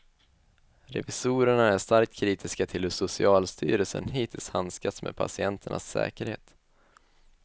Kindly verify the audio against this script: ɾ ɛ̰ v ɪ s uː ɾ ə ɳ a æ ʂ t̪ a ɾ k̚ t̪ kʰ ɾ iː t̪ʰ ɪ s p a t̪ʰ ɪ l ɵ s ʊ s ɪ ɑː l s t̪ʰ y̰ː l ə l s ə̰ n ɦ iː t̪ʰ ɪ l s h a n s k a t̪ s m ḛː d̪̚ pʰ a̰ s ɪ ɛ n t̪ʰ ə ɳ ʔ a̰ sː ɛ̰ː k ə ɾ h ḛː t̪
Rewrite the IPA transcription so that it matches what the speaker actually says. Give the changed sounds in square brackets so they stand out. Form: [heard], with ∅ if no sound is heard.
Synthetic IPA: ɾ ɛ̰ v ɪ s uː ɾ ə ɳ a æ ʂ t̪ a ɾ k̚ t̪ kʰ ɾ iː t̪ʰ ɪ s [k] a t̪ʰ ɪ l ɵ s ʊ s ɪ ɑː l s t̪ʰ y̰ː [ɾ] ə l s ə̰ n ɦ iː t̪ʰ ɪ l s h a n s k a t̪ s m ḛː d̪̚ pʰ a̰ s ɪ ɛ n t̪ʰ ə ɳ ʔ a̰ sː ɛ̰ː k ə ɾ h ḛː t̪